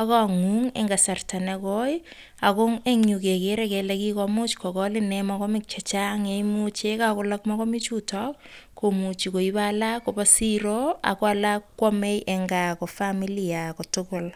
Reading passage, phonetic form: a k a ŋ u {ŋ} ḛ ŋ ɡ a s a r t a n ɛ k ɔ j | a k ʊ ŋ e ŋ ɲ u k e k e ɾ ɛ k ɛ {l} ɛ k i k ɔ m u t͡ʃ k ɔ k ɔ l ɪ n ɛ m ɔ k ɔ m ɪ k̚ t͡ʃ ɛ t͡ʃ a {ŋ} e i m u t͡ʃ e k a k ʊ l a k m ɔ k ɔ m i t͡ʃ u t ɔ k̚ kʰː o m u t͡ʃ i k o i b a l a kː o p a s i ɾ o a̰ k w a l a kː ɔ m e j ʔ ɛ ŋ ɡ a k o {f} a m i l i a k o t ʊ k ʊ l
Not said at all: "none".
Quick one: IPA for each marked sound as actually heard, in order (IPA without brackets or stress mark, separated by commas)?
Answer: ŋ, l, ŋ, f